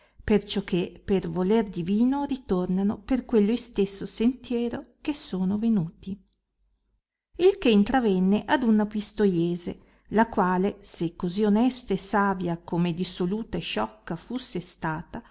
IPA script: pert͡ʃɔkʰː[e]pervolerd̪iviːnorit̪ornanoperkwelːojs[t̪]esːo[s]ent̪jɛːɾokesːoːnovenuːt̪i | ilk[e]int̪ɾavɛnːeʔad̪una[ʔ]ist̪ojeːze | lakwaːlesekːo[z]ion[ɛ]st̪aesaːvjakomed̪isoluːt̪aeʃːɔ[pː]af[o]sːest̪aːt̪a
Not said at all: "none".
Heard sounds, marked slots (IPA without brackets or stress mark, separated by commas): e, t̪, s, e, p, z, ɛ, kː, u